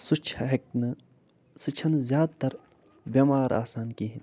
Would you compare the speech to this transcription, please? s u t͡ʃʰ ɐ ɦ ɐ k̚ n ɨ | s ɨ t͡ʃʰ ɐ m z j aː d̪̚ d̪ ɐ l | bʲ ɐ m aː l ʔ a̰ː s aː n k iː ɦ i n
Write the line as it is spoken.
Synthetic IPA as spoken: s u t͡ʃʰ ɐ ɦ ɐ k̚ n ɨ | s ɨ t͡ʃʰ ɐ n z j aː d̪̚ t̪ ɐ ɾ | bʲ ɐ m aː ɾ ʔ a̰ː s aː n k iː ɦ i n